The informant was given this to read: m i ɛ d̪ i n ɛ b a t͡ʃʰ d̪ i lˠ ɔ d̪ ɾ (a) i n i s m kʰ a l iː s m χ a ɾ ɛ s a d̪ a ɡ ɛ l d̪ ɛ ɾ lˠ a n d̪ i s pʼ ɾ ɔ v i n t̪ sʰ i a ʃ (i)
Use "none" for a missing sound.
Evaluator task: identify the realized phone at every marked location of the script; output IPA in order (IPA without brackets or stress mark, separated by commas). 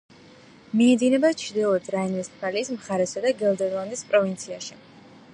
a, i